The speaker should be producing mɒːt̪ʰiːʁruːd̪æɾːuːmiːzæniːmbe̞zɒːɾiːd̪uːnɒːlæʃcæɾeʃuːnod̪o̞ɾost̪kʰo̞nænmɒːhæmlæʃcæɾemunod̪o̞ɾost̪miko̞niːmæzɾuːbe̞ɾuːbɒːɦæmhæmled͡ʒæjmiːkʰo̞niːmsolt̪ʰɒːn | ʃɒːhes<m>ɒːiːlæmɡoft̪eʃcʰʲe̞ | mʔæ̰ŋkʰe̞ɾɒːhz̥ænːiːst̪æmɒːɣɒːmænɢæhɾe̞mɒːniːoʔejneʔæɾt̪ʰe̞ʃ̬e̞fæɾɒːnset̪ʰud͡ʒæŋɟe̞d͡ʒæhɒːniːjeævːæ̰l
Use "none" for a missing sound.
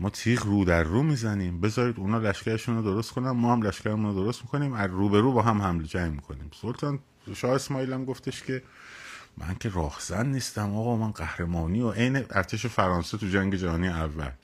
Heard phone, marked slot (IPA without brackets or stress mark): m